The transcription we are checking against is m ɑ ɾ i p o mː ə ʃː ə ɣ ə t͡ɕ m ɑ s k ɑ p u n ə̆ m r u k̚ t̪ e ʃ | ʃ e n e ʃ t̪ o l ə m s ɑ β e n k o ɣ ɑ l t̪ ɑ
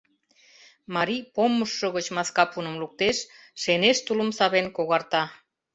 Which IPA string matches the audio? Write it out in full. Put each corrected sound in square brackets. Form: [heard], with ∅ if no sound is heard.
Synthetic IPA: m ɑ ɾ i p o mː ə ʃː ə ɣ ə t͡ɕ m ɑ s k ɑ p u n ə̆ m [l] u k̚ t̪ e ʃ | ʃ e n e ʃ t̪ [u] l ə m s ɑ β e n k o ɣ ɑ [r] t̪ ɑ